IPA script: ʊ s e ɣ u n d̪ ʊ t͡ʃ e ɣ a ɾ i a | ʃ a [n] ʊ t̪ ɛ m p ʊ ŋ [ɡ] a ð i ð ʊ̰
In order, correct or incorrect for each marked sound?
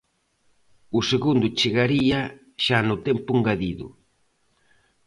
correct, correct

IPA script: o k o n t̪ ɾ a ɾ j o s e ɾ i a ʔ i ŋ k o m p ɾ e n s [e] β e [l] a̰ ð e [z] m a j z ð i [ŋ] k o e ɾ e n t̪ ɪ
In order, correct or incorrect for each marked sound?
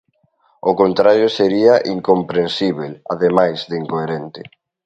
incorrect, correct, incorrect, correct

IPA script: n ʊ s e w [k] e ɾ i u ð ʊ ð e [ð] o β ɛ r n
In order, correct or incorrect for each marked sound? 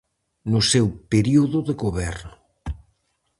incorrect, incorrect

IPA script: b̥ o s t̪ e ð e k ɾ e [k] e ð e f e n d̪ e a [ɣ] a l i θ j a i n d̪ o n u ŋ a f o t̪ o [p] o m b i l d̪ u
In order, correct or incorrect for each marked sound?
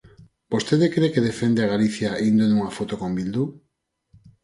correct, correct, incorrect

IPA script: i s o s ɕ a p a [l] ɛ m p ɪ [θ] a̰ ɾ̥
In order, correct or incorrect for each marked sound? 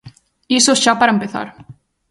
incorrect, correct

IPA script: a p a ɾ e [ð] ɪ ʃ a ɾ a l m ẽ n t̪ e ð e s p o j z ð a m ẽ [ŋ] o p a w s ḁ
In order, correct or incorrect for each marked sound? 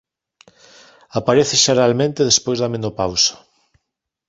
incorrect, incorrect

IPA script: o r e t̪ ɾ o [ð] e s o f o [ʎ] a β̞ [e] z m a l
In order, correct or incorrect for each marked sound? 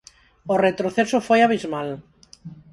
incorrect, incorrect, incorrect

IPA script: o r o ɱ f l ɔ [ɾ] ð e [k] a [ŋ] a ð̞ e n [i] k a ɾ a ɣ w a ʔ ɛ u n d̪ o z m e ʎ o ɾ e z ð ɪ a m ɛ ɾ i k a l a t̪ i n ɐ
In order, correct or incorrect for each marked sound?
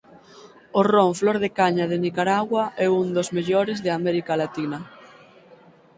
correct, correct, incorrect, correct

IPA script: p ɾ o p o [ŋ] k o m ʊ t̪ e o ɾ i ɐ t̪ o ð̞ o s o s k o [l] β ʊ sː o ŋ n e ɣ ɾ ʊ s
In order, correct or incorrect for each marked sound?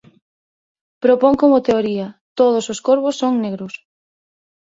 correct, incorrect

